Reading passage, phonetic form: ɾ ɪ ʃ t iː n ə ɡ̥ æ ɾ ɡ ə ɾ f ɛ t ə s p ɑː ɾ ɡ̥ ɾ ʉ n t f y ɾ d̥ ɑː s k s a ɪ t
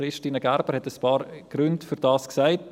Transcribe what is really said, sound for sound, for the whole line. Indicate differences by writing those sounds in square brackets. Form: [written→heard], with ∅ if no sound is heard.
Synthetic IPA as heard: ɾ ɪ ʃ t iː n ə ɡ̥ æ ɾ [ɡ→b] ə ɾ [f→h] ɛ t ə s p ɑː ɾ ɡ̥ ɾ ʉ n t f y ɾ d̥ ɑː s k s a ɪ t

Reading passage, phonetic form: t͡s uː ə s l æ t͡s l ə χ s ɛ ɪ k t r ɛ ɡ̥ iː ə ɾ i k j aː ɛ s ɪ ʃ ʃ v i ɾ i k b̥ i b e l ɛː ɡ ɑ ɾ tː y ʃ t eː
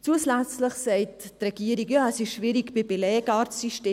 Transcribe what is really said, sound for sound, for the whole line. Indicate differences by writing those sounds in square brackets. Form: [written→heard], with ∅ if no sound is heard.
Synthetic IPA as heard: t͡s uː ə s l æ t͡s l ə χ s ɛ ɪ [k→t] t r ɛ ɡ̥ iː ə ɾ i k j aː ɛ s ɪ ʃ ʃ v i ɾ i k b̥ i b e l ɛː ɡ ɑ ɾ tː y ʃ t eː

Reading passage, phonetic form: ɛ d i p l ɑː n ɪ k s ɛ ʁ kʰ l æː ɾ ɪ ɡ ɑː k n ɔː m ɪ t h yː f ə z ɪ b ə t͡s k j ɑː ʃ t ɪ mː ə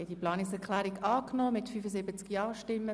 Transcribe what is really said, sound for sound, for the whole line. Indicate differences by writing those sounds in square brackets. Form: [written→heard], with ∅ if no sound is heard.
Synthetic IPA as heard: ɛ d i p l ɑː n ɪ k s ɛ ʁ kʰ l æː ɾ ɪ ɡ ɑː k n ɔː m ɪ t [h→f] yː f ə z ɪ b ə t͡s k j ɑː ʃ t ɪ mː ə

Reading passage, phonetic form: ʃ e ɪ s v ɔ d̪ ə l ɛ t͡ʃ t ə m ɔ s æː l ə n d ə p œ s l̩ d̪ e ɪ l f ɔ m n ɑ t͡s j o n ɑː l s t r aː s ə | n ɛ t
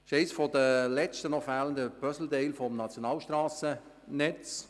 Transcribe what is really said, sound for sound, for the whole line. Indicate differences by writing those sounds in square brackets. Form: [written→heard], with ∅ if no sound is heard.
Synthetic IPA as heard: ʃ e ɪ s [v→f] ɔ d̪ ə l ɛ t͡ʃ t ə [m→n] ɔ [s→f] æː l ə n d ə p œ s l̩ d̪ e ɪ l f ɔ m n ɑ t͡s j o n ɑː l [s→ʃ] t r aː s ə | n ɛ [t→t͡s]

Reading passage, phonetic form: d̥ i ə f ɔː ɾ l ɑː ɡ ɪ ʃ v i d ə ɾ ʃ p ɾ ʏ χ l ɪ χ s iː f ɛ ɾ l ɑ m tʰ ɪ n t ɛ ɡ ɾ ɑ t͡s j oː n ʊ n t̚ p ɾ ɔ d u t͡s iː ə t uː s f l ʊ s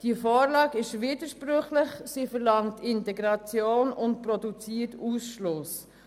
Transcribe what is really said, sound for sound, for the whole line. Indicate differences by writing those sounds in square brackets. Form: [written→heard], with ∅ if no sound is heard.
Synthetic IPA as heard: d̥ i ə f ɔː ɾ l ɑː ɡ ɪ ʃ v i d ə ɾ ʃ p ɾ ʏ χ l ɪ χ s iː f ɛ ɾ l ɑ [m→ŋ] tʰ ɪ n t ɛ ɡ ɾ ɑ t͡s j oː n ʊ n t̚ p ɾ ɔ d u t͡s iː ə t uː s [f→ʃ] l ʊ s

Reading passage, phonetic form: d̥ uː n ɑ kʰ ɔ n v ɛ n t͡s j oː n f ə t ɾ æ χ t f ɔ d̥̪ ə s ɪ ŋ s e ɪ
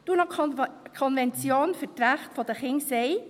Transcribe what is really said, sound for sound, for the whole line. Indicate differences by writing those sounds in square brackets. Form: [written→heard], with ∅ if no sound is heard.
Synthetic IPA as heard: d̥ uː n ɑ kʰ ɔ n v ɛ n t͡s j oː n f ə t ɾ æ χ t f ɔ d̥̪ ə [s→χ] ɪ ŋ s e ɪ

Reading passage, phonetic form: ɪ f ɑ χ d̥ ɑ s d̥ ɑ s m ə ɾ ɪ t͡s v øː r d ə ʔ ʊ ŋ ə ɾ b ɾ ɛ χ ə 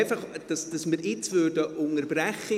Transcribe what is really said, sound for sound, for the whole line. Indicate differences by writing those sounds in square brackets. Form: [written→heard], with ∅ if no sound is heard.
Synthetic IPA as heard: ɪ f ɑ χ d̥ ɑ s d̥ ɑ s m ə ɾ ɪ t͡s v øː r d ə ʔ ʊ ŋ ə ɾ b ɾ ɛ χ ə

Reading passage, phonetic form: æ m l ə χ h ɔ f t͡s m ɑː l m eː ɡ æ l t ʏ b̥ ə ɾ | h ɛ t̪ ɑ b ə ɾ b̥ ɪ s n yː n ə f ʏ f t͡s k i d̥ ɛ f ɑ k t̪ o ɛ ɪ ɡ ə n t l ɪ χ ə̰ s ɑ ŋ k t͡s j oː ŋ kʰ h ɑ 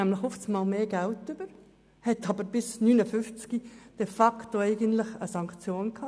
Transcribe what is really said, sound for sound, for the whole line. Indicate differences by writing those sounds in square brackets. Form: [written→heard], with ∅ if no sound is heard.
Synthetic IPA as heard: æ m l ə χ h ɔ f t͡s m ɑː l m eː ɡ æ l t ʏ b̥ ə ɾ | h ɛ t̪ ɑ b ə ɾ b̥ ɪ s n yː n ə f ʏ f t͡s k i d̥ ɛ f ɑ k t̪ o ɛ ɪ ɡ ə n t l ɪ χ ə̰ s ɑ ŋ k t͡s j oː [ŋ→n] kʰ h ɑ

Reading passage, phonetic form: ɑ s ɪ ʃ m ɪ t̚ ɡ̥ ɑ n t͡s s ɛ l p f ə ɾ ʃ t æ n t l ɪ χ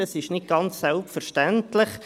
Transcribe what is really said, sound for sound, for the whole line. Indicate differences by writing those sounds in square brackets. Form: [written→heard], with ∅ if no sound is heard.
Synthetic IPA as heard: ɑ s ɪ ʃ [m→n] ɪ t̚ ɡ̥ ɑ n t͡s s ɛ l p f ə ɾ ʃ t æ n t l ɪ χ

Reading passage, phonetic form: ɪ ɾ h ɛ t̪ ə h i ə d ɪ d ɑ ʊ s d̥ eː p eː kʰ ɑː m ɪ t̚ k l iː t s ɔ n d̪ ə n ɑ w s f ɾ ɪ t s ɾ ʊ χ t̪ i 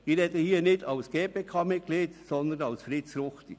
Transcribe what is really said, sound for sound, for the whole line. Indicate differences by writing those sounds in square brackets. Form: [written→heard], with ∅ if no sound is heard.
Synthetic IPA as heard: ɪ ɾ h ɛ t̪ ə h i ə [d→n] ɪ d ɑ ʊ s [d̥→ɡ̥] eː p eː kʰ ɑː m ɪ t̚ k l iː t s ɔ n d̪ ə n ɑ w s f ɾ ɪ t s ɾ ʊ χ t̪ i

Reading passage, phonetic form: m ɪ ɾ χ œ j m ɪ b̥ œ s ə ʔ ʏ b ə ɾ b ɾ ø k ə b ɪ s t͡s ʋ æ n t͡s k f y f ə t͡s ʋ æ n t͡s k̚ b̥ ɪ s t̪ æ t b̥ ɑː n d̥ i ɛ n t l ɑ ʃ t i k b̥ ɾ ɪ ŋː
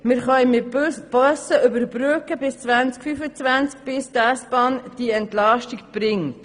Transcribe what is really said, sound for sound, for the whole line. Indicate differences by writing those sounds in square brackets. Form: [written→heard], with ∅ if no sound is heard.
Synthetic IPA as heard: m ɪ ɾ χ œ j m ɪ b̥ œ s ə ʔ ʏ b ə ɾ b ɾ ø k ə b ɪ s t͡s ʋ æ n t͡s k f y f ə t͡s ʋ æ n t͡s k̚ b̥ ɪ s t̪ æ [t→s] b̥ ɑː n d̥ i ɛ n t l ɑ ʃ t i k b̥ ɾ ɪ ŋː

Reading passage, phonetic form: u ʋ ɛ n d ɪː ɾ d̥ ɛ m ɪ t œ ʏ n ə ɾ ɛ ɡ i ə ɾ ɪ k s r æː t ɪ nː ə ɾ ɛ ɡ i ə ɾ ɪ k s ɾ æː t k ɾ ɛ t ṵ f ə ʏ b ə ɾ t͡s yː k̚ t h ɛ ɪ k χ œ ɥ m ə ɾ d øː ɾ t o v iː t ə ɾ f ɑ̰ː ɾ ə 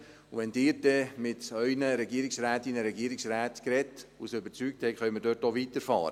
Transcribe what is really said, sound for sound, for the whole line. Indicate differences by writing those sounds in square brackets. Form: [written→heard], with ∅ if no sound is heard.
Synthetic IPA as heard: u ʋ ɛ n d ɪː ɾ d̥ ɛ m ɪ t œ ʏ n ə ɾ ɛ ɡ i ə ɾ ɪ k s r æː t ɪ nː ə ɾ ɛ ɡ i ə ɾ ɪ k s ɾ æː t k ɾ ɛ t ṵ [f→s] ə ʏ b ə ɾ t͡s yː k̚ t h ɛ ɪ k χ œ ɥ m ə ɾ d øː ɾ t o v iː t ə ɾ f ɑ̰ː ɾ ə

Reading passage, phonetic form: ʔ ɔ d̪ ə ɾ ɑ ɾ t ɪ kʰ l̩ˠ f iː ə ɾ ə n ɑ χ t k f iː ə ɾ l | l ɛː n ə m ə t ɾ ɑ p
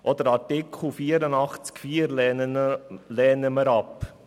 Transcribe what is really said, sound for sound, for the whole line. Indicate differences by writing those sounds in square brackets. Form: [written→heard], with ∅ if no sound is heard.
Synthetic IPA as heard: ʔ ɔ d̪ ə ɾ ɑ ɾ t ɪ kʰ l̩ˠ f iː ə ɾ ə n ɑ χ [t→t͡s] k f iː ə ɾ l | l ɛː n ə m ə [t→∅] ɾ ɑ p

